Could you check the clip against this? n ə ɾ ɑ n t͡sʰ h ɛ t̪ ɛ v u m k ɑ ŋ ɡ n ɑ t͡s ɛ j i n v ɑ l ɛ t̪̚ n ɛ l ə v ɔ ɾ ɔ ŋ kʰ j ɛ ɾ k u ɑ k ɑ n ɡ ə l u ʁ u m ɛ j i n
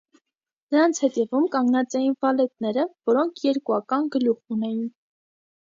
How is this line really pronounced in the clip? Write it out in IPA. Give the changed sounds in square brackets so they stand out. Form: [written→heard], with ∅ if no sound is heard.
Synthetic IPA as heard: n ə ɾ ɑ n t͡sʰ h ɛ t̪ ɛ v u m k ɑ ŋ ɡ n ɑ t͡s ɛ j i n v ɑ l ɛ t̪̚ n ɛ [l→ɾ] ə v ɔ ɾ ɔ ŋ kʰ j ɛ ɾ k u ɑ k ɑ n ɡ ə l u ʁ u [m→n] ɛ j i n